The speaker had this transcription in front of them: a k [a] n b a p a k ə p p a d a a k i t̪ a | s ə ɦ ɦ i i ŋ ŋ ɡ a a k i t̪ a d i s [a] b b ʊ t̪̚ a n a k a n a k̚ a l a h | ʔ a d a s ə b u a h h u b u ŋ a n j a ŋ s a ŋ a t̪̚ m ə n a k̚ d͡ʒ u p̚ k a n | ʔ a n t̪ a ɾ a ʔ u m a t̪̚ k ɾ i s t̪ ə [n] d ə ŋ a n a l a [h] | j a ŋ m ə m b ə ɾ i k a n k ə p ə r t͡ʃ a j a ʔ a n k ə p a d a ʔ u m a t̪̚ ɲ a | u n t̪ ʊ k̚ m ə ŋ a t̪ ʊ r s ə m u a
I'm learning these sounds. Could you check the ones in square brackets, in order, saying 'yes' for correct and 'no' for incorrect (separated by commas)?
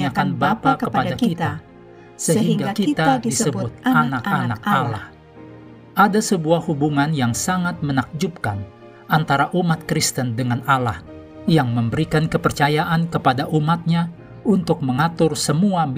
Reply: yes, no, yes, yes